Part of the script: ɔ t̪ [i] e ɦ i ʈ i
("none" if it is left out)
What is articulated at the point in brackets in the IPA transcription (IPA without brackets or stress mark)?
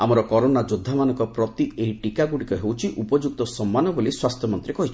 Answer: i